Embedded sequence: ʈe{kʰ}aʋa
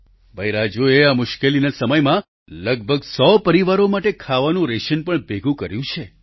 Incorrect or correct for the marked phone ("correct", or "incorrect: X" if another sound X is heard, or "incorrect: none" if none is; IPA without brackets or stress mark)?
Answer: correct